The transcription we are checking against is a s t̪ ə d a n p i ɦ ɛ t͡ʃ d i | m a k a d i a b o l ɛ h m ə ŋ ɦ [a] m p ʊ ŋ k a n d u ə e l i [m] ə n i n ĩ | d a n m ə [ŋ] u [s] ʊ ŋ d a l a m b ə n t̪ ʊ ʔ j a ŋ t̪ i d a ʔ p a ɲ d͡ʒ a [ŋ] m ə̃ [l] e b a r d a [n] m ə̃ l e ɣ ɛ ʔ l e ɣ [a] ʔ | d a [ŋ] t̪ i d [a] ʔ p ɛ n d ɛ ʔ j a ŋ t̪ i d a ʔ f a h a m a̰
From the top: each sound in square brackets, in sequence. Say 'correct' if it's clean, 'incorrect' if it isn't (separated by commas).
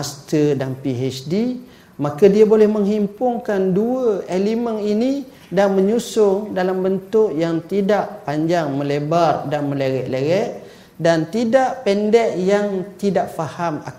incorrect, correct, incorrect, correct, correct, correct, correct, incorrect, incorrect, correct